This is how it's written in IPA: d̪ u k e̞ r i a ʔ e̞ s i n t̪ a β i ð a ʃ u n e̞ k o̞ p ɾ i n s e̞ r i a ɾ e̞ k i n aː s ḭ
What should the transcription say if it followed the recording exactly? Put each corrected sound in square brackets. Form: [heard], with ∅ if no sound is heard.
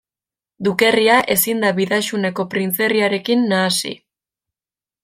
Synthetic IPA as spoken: d̪ u k e̞ r i a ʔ e̞ s i n [d̪] a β i ð a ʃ u n e̞ k o̞ p ɾ i n [t͡s] e̞ r i a ɾ e̞ k i [nː] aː s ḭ

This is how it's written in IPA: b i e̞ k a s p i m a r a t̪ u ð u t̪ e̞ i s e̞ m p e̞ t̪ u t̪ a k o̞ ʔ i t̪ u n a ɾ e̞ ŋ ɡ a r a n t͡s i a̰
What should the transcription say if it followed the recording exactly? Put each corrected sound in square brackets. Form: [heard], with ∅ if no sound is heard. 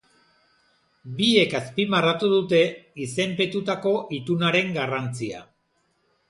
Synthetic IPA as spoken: b i e̞ k a s p i m a r a t̪ u ð u t̪ e̞ i s e̞ m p e̞ t̪ u t̪ a k o̞ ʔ i t̪ u n a ɾ e̞ ŋ ɡ a r a n t͡s i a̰

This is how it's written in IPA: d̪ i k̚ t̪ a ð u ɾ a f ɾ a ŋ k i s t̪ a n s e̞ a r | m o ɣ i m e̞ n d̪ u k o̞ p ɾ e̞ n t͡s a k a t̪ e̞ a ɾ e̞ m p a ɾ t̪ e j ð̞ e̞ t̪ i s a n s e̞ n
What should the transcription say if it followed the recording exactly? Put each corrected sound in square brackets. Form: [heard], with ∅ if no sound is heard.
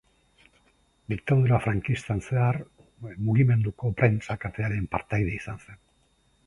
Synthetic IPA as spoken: d̪ i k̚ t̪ a ð u ɾ a f ɾ a ŋ k i s t̪ a n s e̞ a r | m [u] ɣ i m e̞ n d̪ u k o̞ p ɾ e̞ n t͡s a k a t̪ e̞ a ɾ e̞ m p a ɾ t̪ [a] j ð̞ e̞ [∅] i s a n s e̞ n

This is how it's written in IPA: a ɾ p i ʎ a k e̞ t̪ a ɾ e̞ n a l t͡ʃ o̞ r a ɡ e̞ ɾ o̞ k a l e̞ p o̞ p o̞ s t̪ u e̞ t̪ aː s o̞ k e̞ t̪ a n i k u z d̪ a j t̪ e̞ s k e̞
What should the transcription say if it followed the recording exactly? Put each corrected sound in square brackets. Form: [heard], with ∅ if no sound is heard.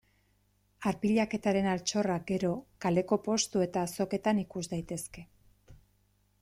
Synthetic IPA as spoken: a ɾ p i ʎ a k e̞ t̪ a ɾ e̞ n a l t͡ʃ o̞ r a ɡ e̞ ɾ o̞ k a l e̞ [k] o̞ p o̞ s t̪ u e̞ t̪ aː s o̞ k e̞ t̪ a n i k u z d̪ a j t̪ e̞ s k e̞

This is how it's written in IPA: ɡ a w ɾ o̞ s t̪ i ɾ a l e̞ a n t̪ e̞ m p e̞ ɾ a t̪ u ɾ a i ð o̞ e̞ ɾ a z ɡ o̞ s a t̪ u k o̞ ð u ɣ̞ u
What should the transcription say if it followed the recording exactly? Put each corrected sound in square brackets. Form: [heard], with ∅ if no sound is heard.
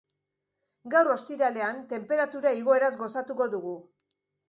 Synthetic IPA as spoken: ɡ a w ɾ o̞ s t̪ i ɾ a l e̞ a n t̪ e̞ m p e̞ ɾ a t̪ u ɾ a i [ɣ] o̞ e̞ ɾ a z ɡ o̞ s a t̪ u k o̞ ð u ɣ̞ u

